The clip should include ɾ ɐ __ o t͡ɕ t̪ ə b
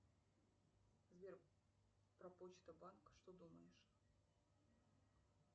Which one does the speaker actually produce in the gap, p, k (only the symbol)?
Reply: p